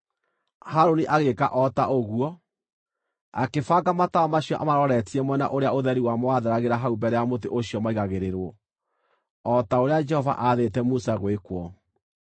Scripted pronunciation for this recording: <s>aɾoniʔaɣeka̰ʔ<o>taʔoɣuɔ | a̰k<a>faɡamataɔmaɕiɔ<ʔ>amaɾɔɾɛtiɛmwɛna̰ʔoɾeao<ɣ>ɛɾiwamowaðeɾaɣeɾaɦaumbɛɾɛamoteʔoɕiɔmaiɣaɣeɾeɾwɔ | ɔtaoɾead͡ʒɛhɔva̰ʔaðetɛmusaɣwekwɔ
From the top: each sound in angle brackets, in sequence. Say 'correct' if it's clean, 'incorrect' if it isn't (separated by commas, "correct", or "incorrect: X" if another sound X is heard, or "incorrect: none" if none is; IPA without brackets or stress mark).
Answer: incorrect: h, incorrect: ɔ, incorrect: e, correct, incorrect: ð